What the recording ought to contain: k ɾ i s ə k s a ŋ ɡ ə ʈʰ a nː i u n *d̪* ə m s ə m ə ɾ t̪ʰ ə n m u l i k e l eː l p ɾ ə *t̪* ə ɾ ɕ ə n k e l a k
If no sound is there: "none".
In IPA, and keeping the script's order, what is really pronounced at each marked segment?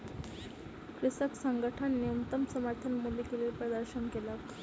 t̪, d̪

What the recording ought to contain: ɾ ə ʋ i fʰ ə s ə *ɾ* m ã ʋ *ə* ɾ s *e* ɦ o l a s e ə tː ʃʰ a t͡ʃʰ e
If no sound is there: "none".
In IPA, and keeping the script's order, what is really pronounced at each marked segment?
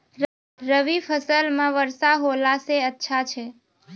l, ə, a

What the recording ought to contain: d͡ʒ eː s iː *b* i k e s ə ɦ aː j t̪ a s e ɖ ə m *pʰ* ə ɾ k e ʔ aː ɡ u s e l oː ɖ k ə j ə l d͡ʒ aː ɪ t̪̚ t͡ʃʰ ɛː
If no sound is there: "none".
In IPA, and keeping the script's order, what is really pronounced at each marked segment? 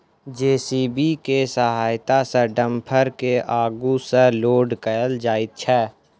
b, pʰ

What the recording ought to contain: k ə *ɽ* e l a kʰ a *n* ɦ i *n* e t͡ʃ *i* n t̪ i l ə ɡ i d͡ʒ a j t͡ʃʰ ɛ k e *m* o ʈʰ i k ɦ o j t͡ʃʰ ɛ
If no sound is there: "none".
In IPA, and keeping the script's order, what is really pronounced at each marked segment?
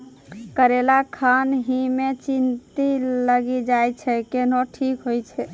ɾ, n, m, i, n

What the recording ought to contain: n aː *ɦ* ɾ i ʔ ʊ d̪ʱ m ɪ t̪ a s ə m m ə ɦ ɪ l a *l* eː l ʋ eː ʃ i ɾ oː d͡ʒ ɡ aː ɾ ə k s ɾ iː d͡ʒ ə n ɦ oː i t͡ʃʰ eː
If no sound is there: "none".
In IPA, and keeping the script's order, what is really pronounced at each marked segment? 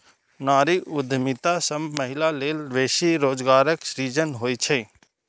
none, l

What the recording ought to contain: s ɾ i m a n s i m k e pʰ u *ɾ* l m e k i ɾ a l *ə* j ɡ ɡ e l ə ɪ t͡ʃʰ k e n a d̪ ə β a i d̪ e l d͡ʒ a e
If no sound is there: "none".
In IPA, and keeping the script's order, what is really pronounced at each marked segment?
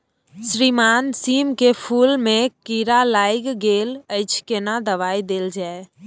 none, a

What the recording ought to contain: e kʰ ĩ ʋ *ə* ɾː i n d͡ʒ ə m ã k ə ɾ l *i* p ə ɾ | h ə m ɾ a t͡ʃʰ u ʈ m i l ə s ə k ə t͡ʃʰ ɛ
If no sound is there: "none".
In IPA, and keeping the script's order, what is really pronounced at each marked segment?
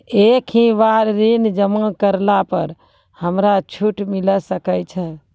a, a

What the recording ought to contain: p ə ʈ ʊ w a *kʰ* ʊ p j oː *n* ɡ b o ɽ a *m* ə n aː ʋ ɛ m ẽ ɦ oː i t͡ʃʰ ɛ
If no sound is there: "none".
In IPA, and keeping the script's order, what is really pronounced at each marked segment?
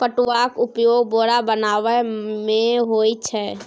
k, none, b

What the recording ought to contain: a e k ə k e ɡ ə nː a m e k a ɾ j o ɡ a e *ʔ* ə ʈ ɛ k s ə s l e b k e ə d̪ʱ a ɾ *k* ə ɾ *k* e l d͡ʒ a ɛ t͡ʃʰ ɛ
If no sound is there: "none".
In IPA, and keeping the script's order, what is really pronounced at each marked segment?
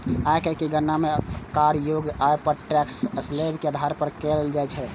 p, p, k

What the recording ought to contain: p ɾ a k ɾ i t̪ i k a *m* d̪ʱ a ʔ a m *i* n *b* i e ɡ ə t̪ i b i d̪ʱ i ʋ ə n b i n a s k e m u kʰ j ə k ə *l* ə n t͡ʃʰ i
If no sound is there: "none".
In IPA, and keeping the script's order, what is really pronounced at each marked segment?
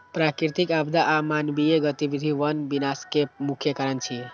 b, a, b, ɾ

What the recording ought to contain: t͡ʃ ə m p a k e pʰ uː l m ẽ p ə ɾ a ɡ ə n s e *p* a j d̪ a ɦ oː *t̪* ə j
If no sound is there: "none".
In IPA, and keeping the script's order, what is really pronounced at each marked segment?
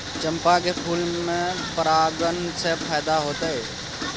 pʰ, t̪

